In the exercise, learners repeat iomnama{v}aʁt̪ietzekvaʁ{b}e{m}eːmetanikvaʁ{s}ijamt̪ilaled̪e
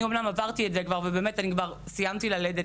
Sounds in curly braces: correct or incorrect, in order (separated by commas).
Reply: correct, incorrect, incorrect, correct